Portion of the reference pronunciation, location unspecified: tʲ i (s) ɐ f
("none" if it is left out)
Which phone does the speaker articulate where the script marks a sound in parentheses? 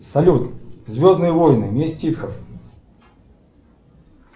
x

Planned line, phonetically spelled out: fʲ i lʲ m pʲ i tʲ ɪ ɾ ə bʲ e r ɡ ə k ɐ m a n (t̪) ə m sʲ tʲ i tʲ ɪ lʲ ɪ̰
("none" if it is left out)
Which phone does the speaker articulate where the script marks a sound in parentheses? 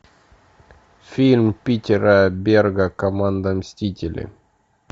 d̪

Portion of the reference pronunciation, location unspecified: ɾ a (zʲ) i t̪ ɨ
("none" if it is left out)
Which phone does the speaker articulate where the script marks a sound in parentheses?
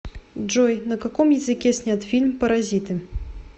zʲ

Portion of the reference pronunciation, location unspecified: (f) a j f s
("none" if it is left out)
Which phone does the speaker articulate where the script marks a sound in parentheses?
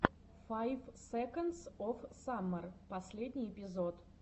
f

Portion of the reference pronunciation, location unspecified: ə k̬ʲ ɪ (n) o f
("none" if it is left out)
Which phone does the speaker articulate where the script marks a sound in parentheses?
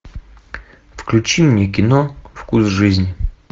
n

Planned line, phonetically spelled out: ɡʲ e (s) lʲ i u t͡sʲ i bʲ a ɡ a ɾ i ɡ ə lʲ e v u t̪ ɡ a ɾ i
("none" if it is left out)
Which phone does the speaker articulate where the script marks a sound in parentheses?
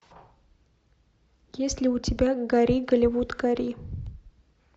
s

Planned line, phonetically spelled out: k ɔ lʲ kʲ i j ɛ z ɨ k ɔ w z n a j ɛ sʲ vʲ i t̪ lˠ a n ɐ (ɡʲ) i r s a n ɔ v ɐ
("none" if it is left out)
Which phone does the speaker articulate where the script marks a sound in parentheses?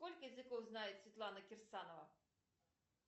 kʲ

